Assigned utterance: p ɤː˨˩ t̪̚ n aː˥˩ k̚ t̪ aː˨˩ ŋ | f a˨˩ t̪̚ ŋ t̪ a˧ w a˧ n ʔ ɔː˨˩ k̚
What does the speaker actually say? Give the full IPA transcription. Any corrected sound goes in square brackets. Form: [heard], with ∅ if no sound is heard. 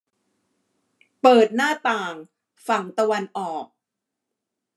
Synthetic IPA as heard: p ɤː˨˩ t̪̚ n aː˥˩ [∅] t̪ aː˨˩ ŋ | f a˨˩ [∅] ŋ t̪ a˧ w a˧ n ʔ ɔː˨˩ k̚